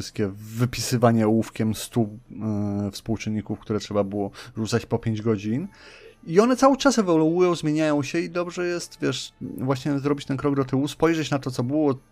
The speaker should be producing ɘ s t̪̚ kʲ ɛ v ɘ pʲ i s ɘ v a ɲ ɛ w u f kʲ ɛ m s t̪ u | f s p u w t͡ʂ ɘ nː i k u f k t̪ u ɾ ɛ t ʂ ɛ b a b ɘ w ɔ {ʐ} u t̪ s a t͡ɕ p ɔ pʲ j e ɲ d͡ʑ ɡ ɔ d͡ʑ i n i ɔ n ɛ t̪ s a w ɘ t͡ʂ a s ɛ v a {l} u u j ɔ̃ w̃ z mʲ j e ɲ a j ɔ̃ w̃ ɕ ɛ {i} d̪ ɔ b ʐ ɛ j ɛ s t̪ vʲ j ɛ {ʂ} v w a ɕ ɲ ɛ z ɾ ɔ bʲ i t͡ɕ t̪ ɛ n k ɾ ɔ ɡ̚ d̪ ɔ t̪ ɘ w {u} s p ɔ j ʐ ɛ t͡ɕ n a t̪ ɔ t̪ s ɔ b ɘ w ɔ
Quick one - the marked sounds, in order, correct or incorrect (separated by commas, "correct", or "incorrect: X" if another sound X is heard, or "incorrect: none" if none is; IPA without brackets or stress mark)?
correct, correct, correct, correct, correct